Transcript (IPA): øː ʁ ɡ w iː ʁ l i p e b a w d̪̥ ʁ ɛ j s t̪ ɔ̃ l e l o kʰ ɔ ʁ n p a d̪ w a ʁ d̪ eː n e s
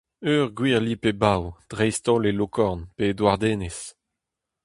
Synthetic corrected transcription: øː ʁ ɡ w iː ʁ l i p e b a w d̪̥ ʁ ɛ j s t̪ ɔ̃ l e l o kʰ ɔ ʁ n p e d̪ w a ʁ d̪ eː n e s